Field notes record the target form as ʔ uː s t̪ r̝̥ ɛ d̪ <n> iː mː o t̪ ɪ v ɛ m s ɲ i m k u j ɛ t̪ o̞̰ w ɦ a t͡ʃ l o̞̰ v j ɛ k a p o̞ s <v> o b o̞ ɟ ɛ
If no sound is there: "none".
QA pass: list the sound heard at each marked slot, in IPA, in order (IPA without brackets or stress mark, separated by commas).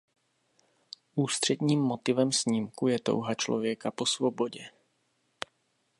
ɲ, v